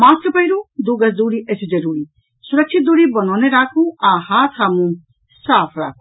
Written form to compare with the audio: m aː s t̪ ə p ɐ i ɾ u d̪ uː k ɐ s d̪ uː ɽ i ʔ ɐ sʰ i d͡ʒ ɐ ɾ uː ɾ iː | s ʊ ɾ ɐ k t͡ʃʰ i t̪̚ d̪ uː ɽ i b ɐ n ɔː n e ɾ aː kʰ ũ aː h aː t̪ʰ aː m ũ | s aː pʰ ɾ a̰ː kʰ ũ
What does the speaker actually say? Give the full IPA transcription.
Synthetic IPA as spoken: m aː s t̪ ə p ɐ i ɾ u d̪ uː ɡ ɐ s d̪ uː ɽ i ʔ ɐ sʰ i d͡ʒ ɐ ɾ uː ɾ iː | s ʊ ɾ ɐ k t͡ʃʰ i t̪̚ d̪ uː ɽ i b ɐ n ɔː n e ɾ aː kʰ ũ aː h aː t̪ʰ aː m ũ | s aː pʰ ɾ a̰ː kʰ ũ